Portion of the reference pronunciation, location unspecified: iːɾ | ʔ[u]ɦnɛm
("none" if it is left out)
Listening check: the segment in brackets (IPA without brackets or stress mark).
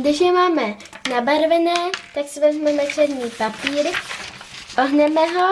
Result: o